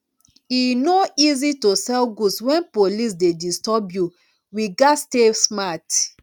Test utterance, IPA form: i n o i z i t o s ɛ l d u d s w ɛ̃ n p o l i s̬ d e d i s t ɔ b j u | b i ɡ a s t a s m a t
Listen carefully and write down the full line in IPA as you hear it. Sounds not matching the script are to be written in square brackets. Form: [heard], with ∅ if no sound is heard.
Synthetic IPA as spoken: i n o i z i t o s ɛ l [ɡ] u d s w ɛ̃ n p o l i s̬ d e d i s t ɔ b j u | [w] i ɡ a s t [e] s m a t